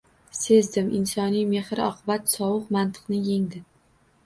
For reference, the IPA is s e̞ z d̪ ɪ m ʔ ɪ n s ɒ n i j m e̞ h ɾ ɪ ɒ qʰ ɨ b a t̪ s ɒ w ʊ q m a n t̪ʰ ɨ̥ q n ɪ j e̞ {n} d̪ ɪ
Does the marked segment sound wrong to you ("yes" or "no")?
yes